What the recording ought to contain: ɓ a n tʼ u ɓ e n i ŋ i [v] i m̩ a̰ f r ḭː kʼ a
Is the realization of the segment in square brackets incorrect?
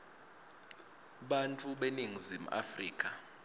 yes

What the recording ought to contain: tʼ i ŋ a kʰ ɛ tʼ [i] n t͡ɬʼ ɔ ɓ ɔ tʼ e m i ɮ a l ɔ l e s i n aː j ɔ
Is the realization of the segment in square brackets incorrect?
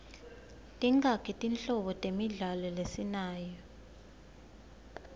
no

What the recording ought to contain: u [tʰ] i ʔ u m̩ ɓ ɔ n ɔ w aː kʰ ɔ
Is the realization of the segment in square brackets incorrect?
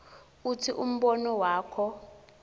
no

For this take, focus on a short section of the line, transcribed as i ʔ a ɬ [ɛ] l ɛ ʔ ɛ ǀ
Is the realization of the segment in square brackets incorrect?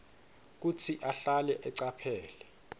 yes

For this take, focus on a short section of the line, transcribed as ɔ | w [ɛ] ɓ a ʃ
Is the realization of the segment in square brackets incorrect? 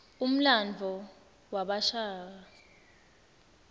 yes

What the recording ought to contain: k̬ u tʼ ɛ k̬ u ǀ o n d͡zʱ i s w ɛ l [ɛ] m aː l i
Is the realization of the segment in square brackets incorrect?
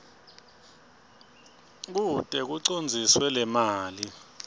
no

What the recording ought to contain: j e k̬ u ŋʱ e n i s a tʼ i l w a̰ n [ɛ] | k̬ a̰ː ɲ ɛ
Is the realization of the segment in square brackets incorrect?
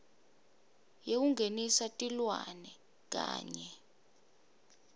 no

